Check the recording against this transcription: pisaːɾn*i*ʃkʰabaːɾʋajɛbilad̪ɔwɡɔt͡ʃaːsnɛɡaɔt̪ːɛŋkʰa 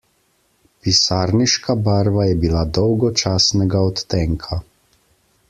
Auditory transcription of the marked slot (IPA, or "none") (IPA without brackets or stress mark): i